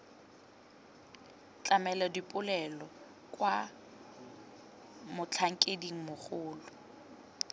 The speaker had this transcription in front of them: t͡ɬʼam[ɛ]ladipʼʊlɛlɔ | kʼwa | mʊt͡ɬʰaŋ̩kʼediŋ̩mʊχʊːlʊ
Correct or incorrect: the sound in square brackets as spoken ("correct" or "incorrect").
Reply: correct